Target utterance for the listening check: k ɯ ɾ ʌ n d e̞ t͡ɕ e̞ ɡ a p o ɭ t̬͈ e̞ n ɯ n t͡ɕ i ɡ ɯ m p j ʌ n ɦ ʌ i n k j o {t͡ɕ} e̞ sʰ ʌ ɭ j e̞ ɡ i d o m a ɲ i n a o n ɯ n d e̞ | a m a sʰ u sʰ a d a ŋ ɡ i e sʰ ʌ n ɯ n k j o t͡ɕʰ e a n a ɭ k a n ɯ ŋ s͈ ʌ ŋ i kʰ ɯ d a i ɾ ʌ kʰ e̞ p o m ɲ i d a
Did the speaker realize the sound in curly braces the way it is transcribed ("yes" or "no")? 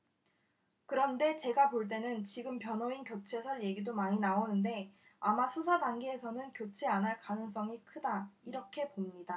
no